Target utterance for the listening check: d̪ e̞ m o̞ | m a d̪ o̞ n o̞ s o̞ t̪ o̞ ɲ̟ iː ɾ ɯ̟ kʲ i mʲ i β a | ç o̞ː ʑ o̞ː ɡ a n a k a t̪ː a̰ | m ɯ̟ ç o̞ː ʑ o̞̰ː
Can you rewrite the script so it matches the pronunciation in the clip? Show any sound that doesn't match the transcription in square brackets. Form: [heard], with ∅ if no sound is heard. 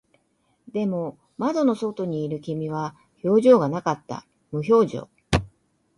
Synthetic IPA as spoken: d̪ e̞ m o̞ | m a d̪ o̞ n o̞ s o̞ t̪ o̞ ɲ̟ iː ɾ ɯ̟ kʲ i mʲ i β a | ç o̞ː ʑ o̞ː ɡ a n a k a t̪ː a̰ | m ɯ̟ ç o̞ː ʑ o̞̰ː